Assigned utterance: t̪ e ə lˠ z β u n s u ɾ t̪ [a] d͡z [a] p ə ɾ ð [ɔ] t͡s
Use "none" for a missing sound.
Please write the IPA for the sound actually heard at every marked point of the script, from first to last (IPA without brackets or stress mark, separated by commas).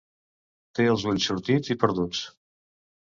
i, i, u